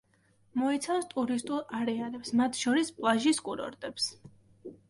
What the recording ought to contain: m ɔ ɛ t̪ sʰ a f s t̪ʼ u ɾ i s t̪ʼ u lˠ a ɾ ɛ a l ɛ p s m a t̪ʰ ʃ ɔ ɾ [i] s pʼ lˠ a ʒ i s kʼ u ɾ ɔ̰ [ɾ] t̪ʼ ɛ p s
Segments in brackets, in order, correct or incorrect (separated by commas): correct, correct